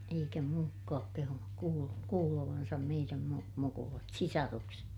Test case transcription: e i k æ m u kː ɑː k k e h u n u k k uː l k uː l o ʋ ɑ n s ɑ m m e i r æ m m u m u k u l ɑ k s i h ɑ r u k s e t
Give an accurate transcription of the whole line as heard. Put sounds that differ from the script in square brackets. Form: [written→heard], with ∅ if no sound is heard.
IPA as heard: e i k æ m [u→uː] kː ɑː k k e h u n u k k uː l k uː l o ʋ ɑ n s ɑ m m e i r æ m m u m u k u l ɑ [k→t] s i [h→s] ɑ r u k s e t